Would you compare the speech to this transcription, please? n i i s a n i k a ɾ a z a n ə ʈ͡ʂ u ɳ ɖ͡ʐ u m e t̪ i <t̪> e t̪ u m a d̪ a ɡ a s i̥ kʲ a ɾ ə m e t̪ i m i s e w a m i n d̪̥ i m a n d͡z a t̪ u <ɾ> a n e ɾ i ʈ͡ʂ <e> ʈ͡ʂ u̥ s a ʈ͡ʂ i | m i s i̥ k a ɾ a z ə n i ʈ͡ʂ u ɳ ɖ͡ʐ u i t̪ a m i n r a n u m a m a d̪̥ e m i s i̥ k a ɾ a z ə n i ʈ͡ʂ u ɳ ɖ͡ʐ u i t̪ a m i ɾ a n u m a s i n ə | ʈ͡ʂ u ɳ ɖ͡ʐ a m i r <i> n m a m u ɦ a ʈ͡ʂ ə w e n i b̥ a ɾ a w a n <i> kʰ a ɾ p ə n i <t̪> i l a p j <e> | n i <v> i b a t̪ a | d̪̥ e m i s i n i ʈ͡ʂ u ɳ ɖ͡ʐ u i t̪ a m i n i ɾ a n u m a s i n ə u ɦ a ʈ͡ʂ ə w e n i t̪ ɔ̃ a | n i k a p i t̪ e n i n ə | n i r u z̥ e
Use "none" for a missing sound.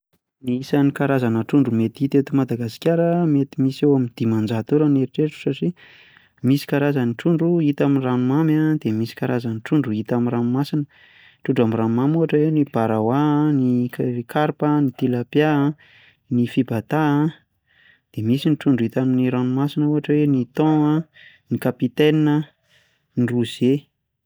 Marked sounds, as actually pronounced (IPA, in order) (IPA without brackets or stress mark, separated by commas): t̪, ɾ, e, a, i, t̪, a, f